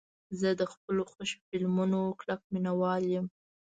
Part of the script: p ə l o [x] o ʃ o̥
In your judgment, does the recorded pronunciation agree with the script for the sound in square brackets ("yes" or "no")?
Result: yes